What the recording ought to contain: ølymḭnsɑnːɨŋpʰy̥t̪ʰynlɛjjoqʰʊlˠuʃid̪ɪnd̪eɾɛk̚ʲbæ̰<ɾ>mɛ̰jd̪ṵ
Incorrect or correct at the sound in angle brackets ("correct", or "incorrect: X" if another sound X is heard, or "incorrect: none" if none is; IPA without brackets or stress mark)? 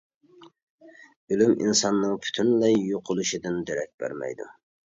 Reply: correct